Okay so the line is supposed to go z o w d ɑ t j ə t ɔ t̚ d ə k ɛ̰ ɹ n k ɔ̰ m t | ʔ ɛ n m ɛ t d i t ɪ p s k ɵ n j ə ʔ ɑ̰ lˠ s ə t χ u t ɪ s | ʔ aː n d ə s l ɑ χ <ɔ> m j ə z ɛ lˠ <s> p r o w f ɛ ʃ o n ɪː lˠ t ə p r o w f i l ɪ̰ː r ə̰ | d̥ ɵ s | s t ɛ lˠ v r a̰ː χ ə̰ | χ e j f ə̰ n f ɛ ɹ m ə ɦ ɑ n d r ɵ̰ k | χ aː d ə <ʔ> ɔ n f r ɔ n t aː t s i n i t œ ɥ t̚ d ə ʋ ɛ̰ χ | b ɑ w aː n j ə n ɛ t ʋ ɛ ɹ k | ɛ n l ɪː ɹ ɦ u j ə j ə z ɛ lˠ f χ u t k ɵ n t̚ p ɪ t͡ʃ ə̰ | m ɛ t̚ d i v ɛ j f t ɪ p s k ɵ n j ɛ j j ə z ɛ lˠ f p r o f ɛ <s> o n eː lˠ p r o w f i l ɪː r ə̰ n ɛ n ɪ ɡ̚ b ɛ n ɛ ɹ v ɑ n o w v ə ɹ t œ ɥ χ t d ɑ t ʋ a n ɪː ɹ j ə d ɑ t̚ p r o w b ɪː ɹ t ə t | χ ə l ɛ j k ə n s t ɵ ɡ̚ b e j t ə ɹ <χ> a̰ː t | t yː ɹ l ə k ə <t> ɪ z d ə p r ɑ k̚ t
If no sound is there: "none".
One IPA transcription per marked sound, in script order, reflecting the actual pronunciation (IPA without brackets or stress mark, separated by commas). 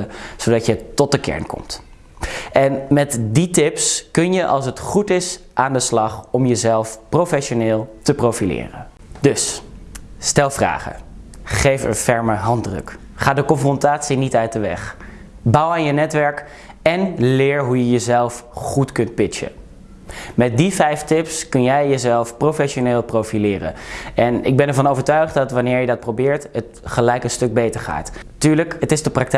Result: ɔ, f, k, ʃ, χ, t